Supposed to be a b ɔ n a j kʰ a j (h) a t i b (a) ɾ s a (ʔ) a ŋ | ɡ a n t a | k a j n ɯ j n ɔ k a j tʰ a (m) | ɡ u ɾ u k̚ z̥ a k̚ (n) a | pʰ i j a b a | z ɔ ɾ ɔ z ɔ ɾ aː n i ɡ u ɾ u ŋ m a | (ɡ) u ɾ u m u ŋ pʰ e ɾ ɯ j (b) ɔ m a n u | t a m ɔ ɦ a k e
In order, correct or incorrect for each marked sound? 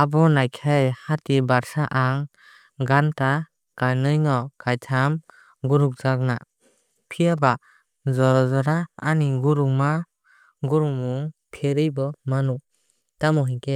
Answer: correct, correct, correct, correct, correct, correct, correct

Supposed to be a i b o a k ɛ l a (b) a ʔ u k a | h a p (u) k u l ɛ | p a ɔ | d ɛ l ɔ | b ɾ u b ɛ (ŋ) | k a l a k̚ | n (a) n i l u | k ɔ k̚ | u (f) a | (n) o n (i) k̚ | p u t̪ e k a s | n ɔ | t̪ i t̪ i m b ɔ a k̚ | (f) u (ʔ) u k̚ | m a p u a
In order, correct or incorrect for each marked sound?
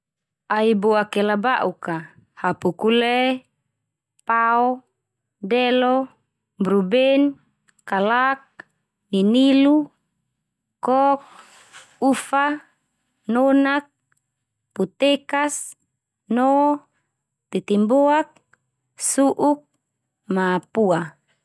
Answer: correct, correct, incorrect: n, incorrect: i, correct, correct, incorrect: a, incorrect: s, correct

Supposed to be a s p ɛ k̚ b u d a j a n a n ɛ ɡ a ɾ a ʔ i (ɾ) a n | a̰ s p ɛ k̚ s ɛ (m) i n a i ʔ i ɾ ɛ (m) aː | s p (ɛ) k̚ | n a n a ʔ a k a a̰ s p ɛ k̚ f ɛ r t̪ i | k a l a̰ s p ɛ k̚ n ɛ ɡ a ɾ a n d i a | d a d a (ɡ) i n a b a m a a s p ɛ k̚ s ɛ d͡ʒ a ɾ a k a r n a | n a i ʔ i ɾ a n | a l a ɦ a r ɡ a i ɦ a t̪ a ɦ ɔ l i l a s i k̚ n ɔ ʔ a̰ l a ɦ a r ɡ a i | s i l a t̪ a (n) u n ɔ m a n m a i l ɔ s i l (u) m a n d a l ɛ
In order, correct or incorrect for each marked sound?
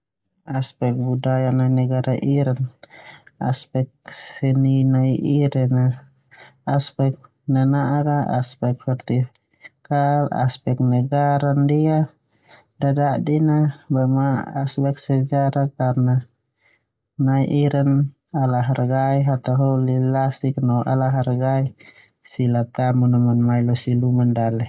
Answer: correct, incorrect: n, incorrect: n, correct, incorrect: d, incorrect: m, correct

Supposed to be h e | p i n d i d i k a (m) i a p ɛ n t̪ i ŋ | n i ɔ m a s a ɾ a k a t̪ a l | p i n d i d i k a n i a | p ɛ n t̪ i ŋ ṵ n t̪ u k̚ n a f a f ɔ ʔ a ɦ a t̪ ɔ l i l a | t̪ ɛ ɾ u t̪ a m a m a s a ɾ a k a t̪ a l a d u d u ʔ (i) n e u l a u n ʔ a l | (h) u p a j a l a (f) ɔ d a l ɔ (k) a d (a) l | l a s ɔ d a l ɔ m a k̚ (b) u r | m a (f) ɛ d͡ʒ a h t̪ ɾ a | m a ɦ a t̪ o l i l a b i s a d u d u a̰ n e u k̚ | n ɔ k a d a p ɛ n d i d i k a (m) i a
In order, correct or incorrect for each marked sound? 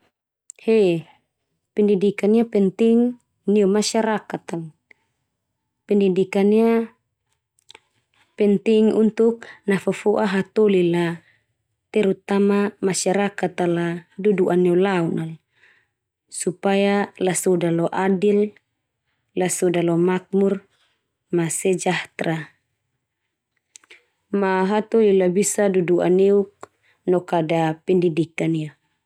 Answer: incorrect: n, incorrect: a, incorrect: s, incorrect: s, incorrect: ʔ, incorrect: i, incorrect: m, incorrect: s, incorrect: n

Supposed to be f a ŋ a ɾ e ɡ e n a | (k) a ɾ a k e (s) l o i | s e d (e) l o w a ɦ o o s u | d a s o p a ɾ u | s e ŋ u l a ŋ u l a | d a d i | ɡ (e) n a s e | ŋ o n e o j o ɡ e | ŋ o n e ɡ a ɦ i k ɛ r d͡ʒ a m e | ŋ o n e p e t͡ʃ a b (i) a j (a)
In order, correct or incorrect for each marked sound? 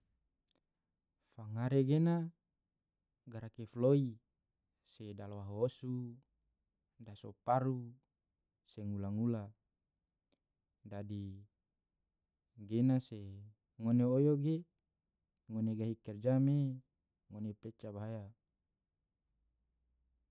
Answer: incorrect: ɡ, incorrect: f, incorrect: a, correct, incorrect: a, correct

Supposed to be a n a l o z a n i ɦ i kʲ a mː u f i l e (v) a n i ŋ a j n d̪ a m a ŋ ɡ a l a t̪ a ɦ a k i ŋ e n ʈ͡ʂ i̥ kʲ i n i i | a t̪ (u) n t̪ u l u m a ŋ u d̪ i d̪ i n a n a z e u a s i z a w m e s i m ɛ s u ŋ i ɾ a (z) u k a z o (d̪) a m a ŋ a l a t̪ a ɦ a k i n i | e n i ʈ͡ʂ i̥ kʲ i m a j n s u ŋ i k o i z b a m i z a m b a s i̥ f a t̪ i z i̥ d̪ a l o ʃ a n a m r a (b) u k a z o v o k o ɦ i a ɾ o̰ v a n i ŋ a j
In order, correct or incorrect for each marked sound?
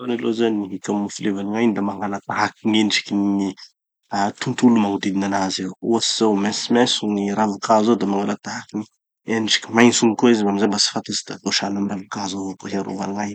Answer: correct, correct, incorrect: v, correct, incorrect: v

